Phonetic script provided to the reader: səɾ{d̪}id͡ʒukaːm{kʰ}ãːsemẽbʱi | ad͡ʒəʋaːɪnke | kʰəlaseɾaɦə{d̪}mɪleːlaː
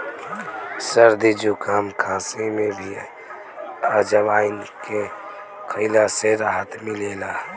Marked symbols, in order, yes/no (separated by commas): yes, yes, no